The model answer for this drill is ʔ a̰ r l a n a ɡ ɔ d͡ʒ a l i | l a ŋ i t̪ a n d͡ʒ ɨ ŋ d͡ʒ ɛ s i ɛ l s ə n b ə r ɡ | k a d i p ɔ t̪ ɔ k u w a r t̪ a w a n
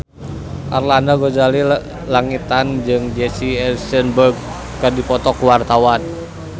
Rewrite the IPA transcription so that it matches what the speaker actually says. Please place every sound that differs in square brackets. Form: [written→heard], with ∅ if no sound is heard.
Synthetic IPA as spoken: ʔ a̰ r l a n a ɡ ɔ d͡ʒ a l i | l a ŋ i t̪ a n d͡ʒ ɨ ŋ d͡ʒ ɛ s i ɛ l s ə n b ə r ɡ | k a d i p ɔ t̪ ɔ k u w a r t̪ a w a n